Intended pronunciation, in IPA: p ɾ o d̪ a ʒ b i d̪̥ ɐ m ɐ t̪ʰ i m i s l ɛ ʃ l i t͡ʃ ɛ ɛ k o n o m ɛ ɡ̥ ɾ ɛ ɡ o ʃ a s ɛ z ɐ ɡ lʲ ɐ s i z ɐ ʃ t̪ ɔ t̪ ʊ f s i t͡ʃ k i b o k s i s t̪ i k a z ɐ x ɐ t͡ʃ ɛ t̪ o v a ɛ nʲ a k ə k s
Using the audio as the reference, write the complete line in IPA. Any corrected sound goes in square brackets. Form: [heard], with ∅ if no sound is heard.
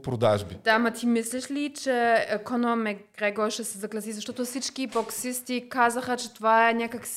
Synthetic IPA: p ɾ o d̪ a ʒ b i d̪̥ [a] m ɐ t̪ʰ i m i s l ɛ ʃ l i t͡ʃ ɛ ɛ k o n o m ɛ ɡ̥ ɾ ɛ ɡ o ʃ [ɛ] s ɛ z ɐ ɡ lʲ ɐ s i z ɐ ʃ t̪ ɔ t̪ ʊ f s i t͡ʃ k i b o k s i s t̪ i k a z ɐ x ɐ t͡ʃ ɛ t̪ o v a ɛ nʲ a k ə k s